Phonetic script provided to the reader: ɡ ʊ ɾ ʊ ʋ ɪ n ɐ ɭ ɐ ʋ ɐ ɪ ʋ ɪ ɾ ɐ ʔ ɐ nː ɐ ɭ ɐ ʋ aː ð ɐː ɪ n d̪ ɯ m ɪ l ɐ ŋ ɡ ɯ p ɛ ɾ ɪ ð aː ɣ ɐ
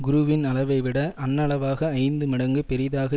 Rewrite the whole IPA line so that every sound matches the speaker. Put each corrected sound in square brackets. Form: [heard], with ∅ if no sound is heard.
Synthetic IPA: ɡ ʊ ɾ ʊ ʋ ɪ n ɐ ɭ ɐ ʋ ɐ ɪ ʋ ɪ [ɽ] ɐ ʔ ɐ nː ɐ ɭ ɐ ʋ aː [ɣ] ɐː ɪ n d̪ ɯ m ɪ [ɽ] ɐ ŋ ɡ ɯ p ɛ ɾ ɪ ð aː ɣ ɐ